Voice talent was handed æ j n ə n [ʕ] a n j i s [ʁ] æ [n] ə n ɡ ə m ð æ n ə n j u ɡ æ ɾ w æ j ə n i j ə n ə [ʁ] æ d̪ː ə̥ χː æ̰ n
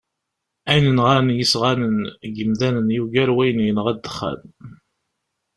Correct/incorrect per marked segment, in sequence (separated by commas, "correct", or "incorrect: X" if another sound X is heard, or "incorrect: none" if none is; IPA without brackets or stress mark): incorrect: ʁ, correct, correct, correct